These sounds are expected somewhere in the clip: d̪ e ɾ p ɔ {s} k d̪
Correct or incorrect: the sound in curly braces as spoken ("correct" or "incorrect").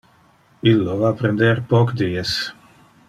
incorrect